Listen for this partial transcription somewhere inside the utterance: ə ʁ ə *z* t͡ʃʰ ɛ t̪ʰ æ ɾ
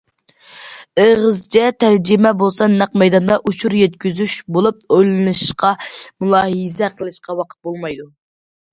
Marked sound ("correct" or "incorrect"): correct